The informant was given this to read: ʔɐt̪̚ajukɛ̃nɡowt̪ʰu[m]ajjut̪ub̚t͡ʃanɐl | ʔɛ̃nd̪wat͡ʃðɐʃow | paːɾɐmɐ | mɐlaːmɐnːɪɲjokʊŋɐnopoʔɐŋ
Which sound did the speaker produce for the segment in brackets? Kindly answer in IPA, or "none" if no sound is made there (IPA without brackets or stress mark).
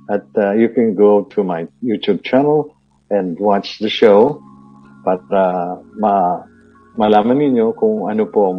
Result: m